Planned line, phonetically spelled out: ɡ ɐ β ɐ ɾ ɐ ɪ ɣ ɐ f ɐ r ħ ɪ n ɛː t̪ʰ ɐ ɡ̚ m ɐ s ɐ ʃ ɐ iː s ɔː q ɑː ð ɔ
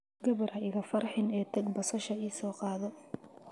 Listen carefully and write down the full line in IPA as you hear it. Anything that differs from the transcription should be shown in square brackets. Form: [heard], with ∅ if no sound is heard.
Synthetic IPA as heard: ɡ ɐ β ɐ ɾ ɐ ɪ ɣ ɐ f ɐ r ħ ɪ n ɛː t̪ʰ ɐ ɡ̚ [b] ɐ s ɐ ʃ ɐ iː s ɔː q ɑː ð ɔ